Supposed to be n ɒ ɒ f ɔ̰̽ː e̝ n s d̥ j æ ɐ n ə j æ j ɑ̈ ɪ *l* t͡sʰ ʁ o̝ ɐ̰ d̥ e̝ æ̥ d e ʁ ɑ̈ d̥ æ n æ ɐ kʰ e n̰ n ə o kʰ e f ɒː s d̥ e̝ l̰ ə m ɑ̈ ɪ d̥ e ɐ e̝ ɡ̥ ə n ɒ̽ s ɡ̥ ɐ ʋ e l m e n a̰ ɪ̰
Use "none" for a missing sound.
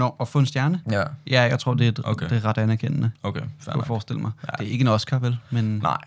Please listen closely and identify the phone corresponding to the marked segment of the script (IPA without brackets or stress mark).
none